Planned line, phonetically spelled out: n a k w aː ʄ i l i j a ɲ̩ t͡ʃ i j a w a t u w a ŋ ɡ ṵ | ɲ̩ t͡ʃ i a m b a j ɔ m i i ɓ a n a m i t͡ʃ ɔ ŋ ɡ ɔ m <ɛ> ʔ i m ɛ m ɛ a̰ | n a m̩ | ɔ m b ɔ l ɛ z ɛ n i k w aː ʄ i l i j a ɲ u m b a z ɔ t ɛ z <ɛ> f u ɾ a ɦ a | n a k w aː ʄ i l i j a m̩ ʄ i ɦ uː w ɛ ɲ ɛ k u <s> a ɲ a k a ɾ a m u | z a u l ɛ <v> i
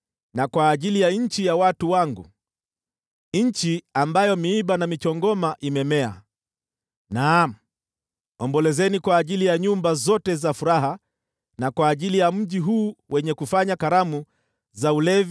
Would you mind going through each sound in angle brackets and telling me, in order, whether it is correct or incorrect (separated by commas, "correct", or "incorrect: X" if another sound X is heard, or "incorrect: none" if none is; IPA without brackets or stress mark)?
incorrect: a, incorrect: a, incorrect: f, correct